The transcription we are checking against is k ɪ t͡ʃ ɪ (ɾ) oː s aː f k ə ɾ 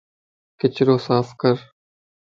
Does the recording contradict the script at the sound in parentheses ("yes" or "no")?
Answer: no